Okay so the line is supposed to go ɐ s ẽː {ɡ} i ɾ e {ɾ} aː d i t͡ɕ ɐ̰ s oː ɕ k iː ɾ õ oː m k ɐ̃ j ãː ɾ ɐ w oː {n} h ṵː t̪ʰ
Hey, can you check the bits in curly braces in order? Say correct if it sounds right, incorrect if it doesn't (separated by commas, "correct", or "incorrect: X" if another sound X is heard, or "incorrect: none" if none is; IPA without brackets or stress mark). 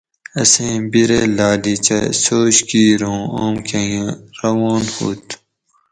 incorrect: b, incorrect: l, correct